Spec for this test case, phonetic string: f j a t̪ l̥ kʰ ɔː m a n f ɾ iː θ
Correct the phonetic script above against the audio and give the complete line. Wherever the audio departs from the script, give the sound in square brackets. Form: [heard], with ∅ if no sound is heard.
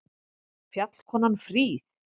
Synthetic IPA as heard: f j a t̪ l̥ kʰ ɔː [n] a n f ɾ iː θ